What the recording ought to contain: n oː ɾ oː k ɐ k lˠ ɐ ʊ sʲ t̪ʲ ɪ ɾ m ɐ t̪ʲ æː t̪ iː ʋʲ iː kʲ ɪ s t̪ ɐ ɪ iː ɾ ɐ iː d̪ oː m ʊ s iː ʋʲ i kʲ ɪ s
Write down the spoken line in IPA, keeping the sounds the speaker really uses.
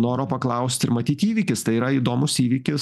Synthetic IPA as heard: n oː ɾ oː p ɐ k lˠ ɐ ʊ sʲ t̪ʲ ɪ ɾ m ɐ t̪ʲ iː t̪ iː ʋʲ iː kʲ ɪ s t̪ ɐ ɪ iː ɾ ɐ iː d̪ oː m ʊ s iː ʋʲ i kʲ ɪ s